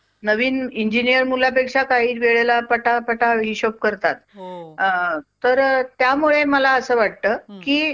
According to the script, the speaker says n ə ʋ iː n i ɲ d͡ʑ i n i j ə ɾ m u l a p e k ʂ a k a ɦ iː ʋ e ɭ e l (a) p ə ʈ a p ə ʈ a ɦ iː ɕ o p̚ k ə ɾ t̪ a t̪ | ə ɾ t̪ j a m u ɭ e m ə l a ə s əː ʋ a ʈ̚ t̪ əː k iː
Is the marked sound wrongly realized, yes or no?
no